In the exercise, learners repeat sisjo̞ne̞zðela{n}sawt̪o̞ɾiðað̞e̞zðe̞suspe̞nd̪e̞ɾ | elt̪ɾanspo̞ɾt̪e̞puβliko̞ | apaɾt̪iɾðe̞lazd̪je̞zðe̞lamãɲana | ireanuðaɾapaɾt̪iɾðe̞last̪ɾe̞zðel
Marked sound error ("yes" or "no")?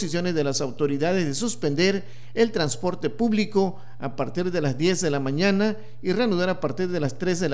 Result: yes